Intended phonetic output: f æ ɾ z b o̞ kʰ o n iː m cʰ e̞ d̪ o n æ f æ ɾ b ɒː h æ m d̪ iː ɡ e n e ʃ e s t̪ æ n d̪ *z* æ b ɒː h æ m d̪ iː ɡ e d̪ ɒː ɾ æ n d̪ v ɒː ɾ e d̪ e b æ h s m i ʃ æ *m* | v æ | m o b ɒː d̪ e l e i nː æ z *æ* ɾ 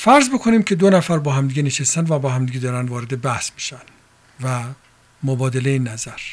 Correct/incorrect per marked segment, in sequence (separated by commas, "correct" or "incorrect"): incorrect, incorrect, correct